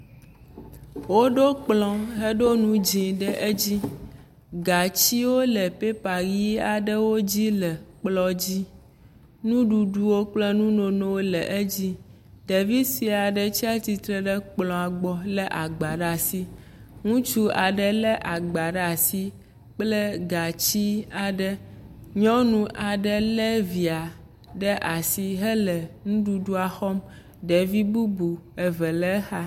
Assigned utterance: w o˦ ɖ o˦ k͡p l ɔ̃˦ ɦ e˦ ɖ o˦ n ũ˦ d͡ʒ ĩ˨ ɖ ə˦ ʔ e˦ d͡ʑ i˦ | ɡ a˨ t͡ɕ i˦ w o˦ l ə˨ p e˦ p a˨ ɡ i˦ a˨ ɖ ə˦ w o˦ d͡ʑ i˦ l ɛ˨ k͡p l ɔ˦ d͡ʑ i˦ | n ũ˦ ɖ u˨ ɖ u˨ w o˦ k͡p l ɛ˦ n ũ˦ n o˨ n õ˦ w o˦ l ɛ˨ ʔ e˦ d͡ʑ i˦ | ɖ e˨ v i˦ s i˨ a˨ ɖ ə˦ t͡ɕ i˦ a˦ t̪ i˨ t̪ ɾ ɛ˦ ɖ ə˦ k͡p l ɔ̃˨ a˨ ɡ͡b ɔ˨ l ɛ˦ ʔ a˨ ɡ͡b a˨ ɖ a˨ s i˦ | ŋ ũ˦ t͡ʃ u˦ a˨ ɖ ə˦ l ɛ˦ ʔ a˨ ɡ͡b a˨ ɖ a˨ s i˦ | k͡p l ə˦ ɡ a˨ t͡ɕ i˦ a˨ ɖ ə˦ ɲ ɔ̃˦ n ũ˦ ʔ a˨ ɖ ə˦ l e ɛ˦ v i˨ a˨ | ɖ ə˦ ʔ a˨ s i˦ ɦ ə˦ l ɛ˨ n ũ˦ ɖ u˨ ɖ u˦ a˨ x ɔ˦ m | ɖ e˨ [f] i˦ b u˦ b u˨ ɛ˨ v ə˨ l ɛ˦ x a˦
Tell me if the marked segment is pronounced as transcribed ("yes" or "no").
no